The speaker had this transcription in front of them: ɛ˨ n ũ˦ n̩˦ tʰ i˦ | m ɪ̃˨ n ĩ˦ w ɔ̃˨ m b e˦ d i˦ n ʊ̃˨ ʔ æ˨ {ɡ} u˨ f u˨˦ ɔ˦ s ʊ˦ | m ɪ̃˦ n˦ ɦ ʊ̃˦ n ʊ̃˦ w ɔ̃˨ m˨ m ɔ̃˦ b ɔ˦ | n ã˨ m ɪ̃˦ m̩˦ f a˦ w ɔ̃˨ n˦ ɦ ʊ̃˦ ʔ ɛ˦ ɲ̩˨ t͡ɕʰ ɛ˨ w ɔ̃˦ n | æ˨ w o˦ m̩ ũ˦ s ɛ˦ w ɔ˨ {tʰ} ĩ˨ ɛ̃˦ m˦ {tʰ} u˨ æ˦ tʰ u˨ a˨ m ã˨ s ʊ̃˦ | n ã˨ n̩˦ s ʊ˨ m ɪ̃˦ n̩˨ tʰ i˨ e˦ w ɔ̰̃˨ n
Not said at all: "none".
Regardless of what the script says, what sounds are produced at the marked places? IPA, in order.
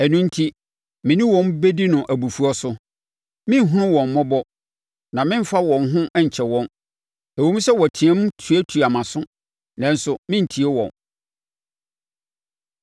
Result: b, tʰ, tʰ

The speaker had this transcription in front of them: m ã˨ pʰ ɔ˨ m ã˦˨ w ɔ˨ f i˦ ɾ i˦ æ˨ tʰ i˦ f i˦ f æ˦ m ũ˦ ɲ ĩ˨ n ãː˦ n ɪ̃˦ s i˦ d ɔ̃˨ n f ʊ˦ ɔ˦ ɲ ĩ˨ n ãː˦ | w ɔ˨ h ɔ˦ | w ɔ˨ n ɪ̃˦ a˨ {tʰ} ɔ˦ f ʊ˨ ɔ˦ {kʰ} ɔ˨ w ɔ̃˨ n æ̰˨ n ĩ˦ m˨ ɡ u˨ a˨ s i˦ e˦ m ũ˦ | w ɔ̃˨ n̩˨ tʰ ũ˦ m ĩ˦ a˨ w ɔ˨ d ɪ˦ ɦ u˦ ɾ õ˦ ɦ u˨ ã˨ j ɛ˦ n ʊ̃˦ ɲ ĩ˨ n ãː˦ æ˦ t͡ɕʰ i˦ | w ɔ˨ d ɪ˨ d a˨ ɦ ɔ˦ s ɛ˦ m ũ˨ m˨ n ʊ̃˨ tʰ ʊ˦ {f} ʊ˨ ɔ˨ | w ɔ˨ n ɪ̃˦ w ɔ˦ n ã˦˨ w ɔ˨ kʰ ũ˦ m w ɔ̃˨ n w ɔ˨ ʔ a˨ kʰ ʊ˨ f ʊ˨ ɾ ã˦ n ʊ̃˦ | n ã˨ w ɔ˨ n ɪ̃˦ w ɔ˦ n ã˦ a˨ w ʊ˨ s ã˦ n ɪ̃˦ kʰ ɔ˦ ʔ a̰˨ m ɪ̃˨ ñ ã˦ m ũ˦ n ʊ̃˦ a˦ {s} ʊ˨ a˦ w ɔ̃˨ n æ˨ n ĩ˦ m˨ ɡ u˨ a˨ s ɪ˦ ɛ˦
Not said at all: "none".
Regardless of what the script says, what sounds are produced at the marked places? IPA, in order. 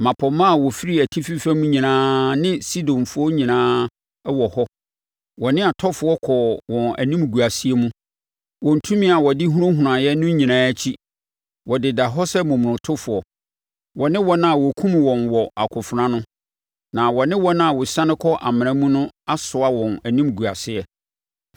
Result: tʰ, kʰ, f, s

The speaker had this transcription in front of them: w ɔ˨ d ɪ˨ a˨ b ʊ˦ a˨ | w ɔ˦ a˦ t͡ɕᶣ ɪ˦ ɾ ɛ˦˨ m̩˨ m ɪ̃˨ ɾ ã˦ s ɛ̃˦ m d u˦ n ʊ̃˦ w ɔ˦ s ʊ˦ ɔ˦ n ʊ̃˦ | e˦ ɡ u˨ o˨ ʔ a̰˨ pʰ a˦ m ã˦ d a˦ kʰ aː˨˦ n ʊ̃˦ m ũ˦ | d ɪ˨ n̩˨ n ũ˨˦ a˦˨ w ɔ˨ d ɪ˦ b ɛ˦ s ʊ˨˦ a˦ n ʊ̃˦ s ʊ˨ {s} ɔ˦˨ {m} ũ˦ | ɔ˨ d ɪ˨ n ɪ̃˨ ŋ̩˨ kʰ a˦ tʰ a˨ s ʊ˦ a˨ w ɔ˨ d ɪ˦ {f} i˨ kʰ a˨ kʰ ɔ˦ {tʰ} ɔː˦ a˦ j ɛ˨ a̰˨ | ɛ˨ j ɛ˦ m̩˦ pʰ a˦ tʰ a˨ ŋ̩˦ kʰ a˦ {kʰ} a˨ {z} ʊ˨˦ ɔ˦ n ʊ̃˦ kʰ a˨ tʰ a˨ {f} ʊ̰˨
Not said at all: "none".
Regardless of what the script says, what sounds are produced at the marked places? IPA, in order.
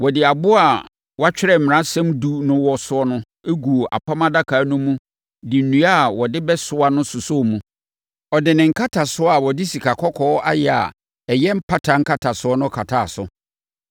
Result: s, m, s, kʰ, tʰ, s, s

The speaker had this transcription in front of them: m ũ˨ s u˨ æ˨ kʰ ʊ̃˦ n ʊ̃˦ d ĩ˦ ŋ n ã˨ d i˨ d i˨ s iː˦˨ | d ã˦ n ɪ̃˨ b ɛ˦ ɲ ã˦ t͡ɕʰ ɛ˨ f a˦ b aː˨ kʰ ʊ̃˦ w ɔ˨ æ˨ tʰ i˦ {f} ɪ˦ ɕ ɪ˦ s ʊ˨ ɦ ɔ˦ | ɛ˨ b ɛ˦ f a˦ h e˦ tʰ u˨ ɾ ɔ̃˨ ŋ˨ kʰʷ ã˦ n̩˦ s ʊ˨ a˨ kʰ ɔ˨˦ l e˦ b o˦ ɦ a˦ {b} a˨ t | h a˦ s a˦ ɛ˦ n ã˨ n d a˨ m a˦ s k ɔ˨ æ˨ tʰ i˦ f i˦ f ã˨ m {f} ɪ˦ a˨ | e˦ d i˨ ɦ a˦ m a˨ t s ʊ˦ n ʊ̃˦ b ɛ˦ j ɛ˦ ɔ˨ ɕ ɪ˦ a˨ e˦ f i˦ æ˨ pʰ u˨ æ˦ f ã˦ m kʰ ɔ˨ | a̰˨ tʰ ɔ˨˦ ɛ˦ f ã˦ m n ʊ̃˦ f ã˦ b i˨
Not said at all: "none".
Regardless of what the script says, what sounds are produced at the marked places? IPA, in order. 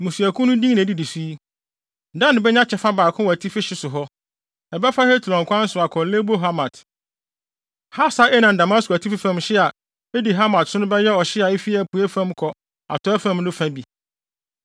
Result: f, m, ɕ

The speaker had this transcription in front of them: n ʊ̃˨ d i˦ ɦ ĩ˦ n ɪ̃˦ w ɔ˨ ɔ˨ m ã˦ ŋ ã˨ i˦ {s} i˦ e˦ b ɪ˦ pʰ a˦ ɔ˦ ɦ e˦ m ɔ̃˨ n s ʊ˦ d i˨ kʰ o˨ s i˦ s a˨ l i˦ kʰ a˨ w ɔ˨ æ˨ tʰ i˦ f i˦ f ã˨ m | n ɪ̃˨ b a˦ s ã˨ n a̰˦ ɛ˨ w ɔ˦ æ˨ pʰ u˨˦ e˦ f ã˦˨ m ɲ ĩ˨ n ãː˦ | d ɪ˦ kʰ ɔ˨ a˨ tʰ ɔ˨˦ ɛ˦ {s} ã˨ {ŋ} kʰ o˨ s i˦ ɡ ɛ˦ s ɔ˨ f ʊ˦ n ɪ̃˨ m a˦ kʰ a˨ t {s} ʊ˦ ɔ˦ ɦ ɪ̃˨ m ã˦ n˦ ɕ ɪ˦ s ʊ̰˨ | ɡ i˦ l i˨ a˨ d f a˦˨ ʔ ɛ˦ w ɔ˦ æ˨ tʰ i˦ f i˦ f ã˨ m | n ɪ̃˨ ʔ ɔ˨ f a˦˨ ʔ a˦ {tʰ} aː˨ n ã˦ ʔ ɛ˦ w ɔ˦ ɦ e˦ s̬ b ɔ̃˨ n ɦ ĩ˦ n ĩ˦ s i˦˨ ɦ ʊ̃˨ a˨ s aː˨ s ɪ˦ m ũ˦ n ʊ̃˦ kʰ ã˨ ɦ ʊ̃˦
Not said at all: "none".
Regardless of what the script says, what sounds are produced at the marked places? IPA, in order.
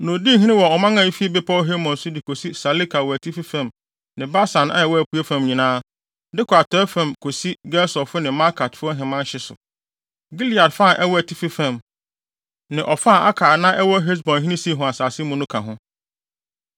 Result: f, f, m, f, kʰ

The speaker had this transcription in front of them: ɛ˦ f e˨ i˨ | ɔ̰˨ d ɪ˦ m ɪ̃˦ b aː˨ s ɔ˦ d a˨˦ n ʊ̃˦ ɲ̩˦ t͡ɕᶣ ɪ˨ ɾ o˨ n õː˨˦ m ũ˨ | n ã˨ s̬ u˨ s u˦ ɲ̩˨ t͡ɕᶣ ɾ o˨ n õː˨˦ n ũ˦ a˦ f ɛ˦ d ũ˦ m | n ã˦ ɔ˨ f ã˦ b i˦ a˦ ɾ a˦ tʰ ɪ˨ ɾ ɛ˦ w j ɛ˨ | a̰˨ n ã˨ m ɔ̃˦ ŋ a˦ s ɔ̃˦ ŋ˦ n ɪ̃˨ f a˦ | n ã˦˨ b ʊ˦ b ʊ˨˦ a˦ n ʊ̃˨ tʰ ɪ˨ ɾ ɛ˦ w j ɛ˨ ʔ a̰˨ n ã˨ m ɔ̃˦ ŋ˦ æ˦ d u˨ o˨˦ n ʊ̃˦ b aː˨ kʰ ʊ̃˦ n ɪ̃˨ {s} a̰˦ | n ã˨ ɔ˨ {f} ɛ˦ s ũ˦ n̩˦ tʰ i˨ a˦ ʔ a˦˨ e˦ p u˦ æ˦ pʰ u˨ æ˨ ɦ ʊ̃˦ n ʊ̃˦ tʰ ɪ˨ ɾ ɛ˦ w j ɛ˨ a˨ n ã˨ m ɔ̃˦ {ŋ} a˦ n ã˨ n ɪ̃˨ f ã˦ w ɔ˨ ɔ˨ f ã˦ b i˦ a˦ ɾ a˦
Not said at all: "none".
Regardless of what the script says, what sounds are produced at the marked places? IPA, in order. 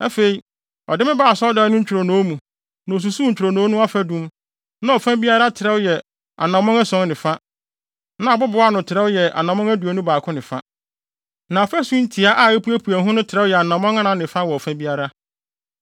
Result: f, f, ŋ

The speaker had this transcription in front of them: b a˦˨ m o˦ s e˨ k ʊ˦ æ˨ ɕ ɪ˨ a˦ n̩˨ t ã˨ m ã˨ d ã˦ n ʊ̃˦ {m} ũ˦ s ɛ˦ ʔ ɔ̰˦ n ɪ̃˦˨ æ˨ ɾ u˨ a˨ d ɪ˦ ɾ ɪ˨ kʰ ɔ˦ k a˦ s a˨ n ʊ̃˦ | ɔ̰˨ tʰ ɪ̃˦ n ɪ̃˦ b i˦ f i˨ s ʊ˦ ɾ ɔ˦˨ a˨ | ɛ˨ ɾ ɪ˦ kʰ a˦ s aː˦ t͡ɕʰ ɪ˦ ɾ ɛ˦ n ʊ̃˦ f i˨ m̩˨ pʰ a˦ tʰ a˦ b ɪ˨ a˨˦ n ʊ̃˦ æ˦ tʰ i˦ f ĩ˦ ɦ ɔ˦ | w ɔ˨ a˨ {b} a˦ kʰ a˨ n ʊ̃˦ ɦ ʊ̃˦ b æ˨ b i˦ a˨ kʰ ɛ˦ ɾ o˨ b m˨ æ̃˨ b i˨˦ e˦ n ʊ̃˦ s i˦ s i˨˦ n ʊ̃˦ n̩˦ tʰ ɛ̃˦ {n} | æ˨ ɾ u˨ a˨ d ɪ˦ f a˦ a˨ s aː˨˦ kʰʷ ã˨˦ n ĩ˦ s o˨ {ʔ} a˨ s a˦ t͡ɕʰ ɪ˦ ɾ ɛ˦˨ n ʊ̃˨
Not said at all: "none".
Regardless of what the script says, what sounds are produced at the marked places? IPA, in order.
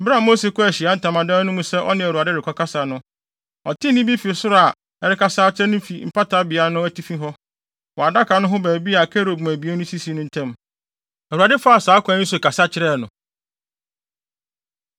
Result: m, d, m, k

